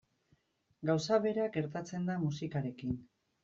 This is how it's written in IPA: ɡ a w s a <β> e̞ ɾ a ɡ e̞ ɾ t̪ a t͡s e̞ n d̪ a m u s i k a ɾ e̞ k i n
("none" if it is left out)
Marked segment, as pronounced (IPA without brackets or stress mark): β